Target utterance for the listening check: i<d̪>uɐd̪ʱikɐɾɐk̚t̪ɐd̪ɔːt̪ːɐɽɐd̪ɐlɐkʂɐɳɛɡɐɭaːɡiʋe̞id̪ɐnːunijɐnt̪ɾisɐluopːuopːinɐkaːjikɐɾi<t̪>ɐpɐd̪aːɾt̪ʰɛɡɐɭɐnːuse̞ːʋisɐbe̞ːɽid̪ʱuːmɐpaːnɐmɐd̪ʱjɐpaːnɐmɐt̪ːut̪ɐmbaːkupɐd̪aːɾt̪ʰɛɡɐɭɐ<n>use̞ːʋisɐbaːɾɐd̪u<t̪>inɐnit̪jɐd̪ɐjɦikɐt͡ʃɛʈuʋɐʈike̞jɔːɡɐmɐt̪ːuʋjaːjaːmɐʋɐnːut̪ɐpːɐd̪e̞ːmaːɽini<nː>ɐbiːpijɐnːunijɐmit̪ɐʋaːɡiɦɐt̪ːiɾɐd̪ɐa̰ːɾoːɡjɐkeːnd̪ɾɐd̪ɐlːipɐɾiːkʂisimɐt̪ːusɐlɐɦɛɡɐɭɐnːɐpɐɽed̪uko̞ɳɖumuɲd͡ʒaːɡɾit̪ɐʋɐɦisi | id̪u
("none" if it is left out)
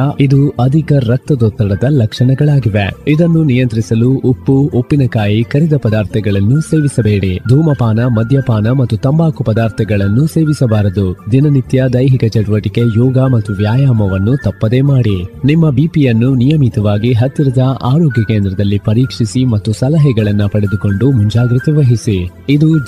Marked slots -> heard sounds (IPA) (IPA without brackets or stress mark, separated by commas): d̪, d̪, nː, d̪, mː